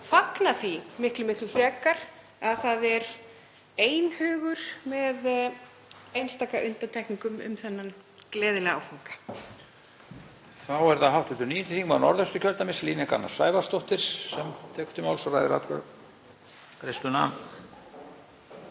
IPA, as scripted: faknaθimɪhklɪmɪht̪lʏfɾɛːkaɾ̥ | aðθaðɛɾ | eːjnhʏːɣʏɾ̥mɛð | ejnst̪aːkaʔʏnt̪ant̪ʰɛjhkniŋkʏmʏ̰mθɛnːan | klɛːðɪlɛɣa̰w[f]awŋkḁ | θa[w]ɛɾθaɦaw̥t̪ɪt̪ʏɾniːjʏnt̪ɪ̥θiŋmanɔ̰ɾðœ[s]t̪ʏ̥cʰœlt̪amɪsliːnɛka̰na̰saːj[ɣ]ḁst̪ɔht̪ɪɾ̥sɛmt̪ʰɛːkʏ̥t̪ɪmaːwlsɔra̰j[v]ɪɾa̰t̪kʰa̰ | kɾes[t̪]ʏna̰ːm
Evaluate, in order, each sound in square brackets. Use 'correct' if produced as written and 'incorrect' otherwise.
correct, correct, correct, incorrect, incorrect, correct

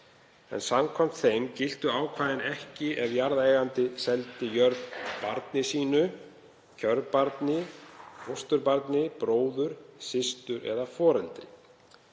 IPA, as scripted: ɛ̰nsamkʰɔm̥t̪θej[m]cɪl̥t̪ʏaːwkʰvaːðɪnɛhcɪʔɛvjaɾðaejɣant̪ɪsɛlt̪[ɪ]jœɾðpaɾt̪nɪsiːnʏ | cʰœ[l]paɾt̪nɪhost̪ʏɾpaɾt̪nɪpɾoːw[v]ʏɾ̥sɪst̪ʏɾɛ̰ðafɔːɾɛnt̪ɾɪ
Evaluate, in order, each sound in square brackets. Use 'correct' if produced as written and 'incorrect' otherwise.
correct, correct, incorrect, incorrect

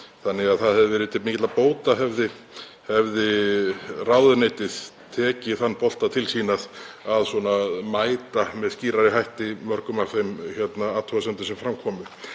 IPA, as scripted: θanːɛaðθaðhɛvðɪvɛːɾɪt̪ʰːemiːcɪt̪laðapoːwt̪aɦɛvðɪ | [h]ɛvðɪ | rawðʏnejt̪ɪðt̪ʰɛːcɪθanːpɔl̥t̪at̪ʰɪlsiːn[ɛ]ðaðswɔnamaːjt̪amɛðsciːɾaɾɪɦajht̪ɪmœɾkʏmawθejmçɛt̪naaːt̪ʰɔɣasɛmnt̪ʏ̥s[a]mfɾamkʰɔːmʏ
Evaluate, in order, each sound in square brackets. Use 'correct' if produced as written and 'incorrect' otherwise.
correct, incorrect, incorrect

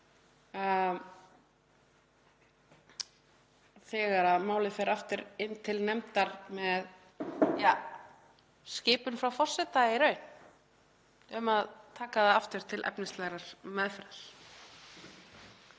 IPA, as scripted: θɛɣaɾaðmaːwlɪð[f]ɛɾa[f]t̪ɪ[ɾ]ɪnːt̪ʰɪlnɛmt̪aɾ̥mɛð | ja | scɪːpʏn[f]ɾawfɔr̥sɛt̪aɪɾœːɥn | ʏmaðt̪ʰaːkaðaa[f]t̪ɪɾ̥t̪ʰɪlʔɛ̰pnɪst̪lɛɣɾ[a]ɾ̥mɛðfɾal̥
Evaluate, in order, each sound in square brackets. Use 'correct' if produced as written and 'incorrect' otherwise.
correct, correct, correct, correct, correct, correct

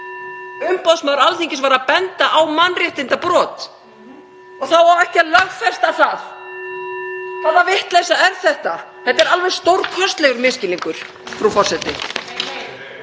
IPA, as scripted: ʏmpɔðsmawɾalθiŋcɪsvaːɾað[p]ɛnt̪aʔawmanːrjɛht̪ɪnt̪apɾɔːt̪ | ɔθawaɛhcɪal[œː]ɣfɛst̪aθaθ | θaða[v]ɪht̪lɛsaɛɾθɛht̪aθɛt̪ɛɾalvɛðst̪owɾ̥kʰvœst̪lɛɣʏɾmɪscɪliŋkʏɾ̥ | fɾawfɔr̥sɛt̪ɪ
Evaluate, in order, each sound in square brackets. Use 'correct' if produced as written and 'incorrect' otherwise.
correct, incorrect, correct

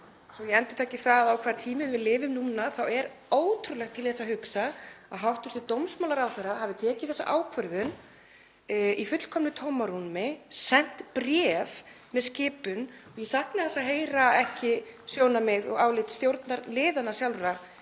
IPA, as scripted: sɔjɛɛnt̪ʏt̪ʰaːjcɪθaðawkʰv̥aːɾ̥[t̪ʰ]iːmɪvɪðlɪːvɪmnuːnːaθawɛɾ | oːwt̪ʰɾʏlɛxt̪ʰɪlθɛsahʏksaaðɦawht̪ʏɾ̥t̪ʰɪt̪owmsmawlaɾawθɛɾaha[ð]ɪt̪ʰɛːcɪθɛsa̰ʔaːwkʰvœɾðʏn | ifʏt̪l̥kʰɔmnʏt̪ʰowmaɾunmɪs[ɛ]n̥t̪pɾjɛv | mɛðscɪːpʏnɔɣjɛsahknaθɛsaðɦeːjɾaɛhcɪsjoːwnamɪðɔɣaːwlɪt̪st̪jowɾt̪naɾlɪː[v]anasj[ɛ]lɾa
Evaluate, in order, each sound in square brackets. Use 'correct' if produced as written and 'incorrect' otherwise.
correct, incorrect, correct, incorrect, incorrect

